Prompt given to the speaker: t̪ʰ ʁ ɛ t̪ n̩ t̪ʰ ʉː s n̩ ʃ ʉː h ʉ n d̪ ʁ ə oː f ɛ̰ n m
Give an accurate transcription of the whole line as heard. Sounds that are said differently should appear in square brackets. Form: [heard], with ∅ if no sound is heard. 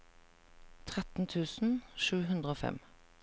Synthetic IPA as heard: t̪ʰ ʁ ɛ t̪ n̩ t̪ʰ ʉː s n̩ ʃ ʉː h ʉ n d̪ ʁ ə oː f ɛ̰ [∅] m

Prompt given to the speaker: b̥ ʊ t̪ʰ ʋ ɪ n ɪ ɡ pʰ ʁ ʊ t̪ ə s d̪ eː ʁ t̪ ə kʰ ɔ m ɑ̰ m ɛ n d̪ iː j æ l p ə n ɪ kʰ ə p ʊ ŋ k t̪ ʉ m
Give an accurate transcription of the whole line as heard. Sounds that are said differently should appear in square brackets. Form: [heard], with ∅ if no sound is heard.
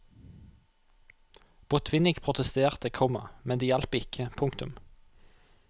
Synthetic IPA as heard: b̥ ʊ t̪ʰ ʋ ɪ n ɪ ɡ pʰ ʁ ʊ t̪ ə s [t̪] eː ʁ t̪ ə kʰ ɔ m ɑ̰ m ɛ n d̪ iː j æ l p ə [∅] ɪ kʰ ə [pʰ] ʊ ŋ k t̪ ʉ m

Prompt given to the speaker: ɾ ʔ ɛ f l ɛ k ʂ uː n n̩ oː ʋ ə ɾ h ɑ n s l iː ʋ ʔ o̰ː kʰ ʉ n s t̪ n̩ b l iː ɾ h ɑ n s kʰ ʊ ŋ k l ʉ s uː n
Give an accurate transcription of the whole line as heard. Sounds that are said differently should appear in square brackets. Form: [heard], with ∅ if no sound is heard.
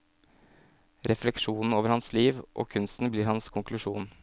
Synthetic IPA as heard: ɾ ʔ ɛ f l ɛ k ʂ uː n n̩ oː ʋ ə ɾ h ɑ n s l iː ʋ ʔ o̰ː kʰ ʉ n s t̪ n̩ b l iː ɾ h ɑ n s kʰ ʊ ŋ k l ʉ [ʂ] uː n

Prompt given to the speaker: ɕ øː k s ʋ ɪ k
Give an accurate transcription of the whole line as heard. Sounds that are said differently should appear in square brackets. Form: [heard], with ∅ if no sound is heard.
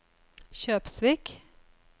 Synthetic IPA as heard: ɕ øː [p] s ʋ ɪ k

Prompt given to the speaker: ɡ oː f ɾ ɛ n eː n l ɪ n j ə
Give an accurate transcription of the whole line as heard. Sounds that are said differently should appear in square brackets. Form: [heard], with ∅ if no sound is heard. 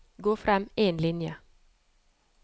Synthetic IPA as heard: ɡ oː f ɾ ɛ [m] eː n l ɪ n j ə

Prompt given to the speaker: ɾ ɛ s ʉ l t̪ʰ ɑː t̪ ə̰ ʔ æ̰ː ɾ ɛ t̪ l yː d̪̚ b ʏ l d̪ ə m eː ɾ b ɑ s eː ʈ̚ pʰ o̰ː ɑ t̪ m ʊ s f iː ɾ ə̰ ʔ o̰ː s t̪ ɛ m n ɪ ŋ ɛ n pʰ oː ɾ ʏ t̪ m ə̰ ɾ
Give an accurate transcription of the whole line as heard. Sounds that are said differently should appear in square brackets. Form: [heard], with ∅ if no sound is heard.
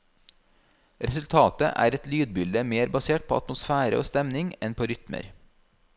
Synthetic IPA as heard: ɾ ɛ s ʉ l t̪ʰ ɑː t̪ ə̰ ʔ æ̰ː ɾ ɛ t̪ l yː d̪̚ b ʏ l d̪ ə m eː ɾ b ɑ s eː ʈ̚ pʰ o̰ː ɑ t̪ m ʊ s f [æː] ɾ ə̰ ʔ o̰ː s t̪ ɛ m n ɪ ŋ ɛ n pʰ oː ɾ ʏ t̪ m ə̰ ɾ

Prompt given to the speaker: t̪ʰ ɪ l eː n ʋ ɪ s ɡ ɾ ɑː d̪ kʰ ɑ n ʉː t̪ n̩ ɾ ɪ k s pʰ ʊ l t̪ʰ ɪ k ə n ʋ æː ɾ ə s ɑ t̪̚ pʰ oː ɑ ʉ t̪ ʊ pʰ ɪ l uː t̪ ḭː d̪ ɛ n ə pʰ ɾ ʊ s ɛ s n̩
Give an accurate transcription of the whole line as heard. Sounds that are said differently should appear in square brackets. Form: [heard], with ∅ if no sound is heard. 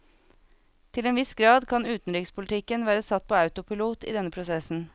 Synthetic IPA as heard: t̪ʰ ɪ l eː n ʋ ɪ s ɡ ɾ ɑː d̪ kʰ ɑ n ʉː t̪ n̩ ɾ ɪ k s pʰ ʊ l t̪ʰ ɪ k ə n ʋ æː ɾ ə s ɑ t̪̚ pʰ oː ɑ ʉ t̪ ʊ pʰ ɪ l uː t̪ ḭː d̪ ɛ n ə pʰ ɾ ʊ s ɛ s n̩

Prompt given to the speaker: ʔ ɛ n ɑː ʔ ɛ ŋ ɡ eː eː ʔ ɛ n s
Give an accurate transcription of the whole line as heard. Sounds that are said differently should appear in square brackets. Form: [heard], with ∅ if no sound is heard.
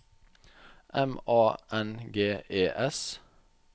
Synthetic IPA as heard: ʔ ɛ [m] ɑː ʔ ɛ [n] ɡ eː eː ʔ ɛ [∅] s

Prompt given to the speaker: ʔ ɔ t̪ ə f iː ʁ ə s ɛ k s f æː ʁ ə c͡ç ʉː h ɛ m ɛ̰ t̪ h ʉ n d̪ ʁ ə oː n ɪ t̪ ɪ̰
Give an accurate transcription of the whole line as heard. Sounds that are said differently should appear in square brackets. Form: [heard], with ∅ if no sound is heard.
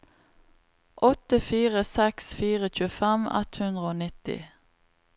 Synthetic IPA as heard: ʔ ɔ t̪ ə f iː ʁ ə s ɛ k s f [iː] ʁ ə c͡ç ʉː [f] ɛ m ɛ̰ t̪ h ʉ n d̪ ʁ ə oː n ɪ t̪ ɪ̰

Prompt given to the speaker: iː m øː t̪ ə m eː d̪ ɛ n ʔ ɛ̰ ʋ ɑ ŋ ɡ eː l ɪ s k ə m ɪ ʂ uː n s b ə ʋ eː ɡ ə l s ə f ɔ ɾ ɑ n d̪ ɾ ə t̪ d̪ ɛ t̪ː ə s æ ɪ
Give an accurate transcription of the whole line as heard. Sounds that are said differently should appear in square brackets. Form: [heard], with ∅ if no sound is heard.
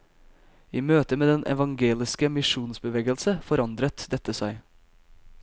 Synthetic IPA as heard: iː m øː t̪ ə m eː d̪ ɛ n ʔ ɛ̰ ʋ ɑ ŋ ɡ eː l ɪ s k ə m ɪ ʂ uː n s b ə ʋ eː ɡ ə l s ə f ɔ ɾ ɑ n d̪ ɾ ə t̪ d̪ ɛ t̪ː ə s æ ɪ

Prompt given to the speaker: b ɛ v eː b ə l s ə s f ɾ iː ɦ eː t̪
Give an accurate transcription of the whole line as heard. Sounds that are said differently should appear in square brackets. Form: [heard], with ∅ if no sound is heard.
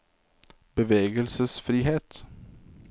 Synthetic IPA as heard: b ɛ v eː [ɡ] ə l s ə s f ɾ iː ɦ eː t̪

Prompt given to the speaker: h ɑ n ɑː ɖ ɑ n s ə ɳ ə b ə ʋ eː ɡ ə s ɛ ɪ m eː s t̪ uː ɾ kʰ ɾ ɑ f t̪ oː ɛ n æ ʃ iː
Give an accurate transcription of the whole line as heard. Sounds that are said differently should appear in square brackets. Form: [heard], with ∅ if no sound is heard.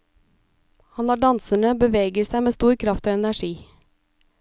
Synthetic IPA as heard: h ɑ n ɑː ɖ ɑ n s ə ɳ ə b ə ʋ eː ɡ ə s [æ] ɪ m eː s t̪ uː ɾ kʰ ɾ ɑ f t̪ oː ɛ n æ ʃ iː

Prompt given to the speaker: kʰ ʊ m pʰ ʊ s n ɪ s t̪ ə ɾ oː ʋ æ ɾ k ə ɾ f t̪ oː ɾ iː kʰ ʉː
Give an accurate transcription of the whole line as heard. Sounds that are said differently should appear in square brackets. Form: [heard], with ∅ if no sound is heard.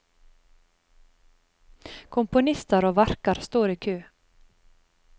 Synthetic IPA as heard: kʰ ʊ m [p] ʊ [∅] n ɪ s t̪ ə ɾ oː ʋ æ ɾ k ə ɾ [s] t̪ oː ɾ iː kʰ ʉː

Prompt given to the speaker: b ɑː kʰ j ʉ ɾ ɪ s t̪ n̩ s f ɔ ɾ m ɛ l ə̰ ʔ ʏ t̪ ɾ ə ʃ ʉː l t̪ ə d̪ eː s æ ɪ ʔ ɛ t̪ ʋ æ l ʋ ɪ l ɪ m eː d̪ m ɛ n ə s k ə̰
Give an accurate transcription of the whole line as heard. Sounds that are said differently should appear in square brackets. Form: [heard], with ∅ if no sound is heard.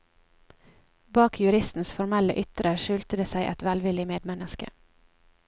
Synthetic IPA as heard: b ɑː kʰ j ʉ ɾ ɪ s t̪ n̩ s f ɔ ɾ m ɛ l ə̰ ʔ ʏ t̪ ɾ ə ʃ ʉː l t̪ ə d̪ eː s æ ɪ ʔ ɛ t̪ ʋ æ l ʋ ɪ l ɪ m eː d̪ m ɛ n ə s k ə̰

